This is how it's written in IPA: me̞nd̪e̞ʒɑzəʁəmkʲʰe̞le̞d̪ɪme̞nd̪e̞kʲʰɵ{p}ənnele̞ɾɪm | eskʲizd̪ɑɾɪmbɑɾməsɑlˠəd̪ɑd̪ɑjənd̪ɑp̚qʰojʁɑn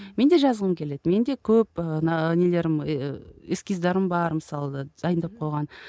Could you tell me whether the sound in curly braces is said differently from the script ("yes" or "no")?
no